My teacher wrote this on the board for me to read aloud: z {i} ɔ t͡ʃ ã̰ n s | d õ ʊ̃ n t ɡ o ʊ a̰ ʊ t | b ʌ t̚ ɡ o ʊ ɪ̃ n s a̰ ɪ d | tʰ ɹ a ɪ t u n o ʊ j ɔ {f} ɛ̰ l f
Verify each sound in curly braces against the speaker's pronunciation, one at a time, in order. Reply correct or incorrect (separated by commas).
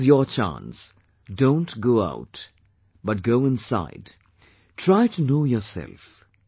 incorrect, incorrect